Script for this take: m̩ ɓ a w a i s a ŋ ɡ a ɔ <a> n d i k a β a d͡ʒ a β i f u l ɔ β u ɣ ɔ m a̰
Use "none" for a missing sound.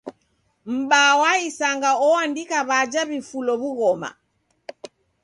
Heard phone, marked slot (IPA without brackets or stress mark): a